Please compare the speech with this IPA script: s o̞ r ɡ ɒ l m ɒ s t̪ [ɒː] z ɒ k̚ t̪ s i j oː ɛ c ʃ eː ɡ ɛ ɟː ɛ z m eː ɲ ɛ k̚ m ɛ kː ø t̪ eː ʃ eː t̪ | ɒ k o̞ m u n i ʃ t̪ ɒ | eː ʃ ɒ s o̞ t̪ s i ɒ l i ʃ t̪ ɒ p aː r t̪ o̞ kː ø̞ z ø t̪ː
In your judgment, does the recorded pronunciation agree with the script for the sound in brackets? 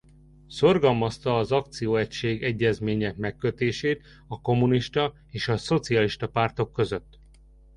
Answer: yes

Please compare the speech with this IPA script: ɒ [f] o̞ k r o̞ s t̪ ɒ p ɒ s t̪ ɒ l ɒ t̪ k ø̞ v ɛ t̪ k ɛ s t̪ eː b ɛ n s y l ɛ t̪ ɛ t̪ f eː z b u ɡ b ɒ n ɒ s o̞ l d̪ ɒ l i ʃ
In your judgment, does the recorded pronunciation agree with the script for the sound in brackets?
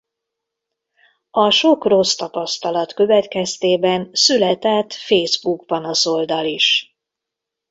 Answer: no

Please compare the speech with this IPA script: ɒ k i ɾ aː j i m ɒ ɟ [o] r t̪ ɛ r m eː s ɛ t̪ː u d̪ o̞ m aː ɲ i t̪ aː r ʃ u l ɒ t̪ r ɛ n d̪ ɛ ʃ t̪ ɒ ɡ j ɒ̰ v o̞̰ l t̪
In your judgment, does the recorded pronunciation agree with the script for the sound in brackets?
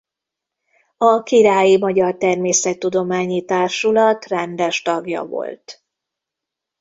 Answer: no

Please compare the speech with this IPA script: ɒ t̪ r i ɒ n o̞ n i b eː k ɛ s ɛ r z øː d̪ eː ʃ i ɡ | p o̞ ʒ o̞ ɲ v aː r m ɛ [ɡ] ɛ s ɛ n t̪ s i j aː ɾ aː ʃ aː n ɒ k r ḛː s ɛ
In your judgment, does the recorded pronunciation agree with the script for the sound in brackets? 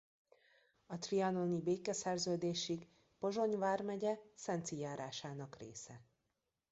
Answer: no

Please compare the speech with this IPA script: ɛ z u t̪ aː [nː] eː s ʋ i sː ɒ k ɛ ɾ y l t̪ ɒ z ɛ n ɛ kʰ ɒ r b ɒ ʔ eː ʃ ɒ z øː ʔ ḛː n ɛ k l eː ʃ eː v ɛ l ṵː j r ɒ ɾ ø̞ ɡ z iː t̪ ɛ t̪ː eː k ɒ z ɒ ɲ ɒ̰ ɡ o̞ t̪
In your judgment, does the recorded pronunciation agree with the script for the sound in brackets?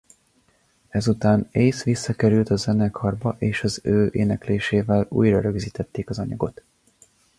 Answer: no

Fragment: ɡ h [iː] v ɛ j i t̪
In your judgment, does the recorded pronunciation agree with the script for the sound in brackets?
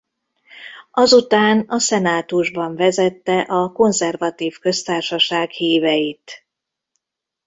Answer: yes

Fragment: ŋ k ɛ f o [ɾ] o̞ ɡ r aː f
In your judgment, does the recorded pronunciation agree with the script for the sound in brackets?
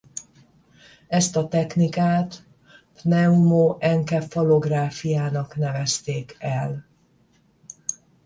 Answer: no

